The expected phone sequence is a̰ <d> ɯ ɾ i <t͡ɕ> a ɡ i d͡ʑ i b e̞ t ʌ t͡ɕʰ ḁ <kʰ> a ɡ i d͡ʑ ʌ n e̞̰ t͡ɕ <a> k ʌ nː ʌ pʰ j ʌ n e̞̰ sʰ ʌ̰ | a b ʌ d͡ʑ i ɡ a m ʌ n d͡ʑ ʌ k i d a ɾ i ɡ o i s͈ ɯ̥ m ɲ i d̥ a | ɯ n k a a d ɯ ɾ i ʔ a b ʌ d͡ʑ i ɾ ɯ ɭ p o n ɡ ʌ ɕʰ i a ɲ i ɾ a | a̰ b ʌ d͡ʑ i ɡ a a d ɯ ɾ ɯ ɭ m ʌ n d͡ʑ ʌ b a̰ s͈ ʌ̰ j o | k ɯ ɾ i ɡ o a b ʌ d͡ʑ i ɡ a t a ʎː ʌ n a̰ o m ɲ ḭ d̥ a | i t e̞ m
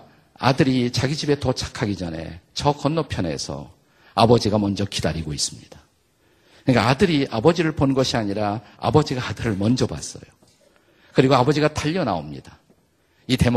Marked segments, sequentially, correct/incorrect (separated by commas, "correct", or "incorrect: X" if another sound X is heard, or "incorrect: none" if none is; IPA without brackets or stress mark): correct, correct, correct, incorrect: ʌ